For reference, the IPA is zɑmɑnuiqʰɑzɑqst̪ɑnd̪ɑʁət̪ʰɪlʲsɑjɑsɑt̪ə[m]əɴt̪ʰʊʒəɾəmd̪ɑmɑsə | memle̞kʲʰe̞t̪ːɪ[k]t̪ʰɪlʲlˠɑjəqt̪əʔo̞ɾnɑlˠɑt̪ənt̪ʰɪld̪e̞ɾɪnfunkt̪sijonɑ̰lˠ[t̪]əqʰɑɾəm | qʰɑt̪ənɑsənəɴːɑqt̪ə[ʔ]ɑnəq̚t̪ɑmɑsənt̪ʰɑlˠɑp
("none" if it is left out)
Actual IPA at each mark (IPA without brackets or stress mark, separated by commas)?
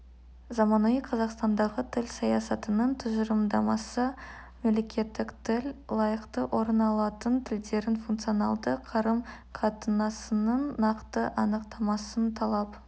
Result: n, k, d̪, ʔ